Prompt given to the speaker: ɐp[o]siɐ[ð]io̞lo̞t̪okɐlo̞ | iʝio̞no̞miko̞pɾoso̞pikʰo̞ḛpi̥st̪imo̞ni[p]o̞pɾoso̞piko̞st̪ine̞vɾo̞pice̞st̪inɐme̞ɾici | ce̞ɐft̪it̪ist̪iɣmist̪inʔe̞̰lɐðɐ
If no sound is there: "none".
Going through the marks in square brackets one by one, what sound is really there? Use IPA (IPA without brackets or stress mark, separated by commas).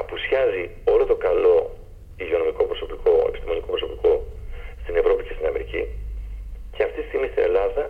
u, z, k